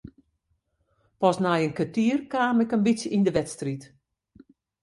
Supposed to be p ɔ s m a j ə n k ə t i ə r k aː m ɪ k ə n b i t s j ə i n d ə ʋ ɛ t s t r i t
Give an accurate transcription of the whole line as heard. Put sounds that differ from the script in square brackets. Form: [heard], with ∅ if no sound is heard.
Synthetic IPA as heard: p ɔ s [n] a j ə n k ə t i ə r k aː m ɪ k ə n b i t s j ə i n d ə ʋ ɛ t s t r i t